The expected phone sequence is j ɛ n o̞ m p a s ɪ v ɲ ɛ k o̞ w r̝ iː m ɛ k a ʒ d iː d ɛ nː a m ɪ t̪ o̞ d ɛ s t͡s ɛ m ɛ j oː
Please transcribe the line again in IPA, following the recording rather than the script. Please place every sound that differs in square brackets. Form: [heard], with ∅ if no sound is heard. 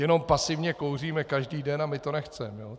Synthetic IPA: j ɛ n o̞ m p a s ɪ v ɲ ɛ k o̞ w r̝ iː m ɛ k a ʒ d iː d ɛ [n] a m ɪ t̪ o̞ [n] ɛ [x] t͡s ɛ m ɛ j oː